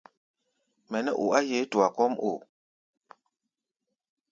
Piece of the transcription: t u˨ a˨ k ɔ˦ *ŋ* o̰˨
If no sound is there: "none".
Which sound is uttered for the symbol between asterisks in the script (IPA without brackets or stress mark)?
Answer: m